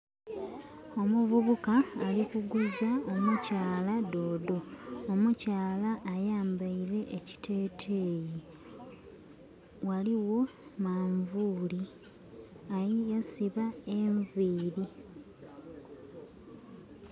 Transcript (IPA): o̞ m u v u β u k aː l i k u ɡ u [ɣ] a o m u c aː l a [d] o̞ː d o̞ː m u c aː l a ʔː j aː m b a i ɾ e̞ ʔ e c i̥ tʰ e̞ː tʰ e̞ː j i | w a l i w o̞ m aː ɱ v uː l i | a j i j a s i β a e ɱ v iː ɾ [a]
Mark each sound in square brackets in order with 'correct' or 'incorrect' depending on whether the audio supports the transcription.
incorrect, correct, incorrect

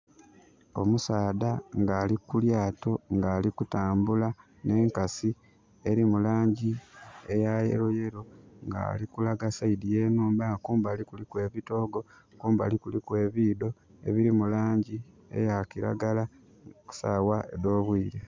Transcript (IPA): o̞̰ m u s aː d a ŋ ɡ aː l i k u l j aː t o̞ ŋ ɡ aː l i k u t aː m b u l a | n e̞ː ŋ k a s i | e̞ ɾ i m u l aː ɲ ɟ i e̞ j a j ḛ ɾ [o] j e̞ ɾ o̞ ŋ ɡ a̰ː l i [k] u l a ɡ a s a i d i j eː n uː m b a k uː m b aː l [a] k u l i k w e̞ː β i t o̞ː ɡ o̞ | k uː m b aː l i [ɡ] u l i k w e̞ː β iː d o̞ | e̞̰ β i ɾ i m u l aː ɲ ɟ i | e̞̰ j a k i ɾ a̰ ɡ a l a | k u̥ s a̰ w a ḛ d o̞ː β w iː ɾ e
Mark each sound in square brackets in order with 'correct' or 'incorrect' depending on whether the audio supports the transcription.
correct, correct, incorrect, incorrect

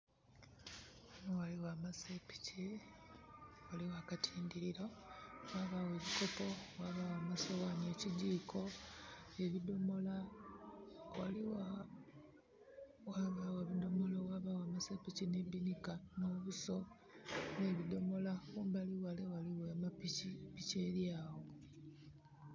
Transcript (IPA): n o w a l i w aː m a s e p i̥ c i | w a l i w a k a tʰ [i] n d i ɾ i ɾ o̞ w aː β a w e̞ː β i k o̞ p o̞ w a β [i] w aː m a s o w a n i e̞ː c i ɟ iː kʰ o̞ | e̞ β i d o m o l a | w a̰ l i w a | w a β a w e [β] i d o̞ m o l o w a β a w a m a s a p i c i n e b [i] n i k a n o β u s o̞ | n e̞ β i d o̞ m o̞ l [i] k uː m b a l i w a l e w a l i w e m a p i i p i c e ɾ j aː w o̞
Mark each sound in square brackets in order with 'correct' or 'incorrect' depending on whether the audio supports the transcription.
incorrect, incorrect, correct, correct, incorrect

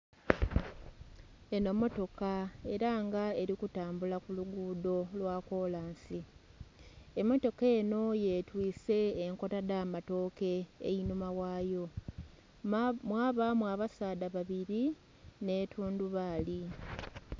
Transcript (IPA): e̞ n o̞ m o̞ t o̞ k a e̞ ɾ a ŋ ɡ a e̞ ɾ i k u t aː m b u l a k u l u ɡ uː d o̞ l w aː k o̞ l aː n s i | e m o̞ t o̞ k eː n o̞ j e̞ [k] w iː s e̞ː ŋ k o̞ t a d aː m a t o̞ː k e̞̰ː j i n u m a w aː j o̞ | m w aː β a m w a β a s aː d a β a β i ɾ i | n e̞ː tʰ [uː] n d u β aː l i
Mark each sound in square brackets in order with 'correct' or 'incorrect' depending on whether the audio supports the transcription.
incorrect, correct

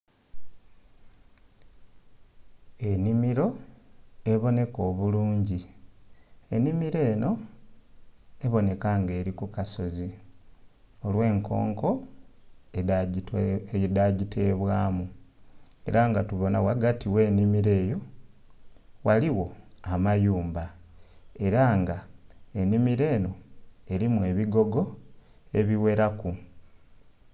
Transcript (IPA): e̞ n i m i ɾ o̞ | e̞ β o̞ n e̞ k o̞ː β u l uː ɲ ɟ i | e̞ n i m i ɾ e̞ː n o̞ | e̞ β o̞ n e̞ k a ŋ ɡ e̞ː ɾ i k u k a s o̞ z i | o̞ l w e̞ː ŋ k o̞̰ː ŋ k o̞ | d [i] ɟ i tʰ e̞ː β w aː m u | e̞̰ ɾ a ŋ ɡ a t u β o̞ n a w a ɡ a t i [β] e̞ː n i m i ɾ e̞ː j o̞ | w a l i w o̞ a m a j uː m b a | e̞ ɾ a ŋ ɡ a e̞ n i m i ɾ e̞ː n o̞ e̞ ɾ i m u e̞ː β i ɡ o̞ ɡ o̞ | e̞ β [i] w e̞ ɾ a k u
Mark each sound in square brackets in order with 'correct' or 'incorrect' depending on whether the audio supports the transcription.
incorrect, incorrect, correct

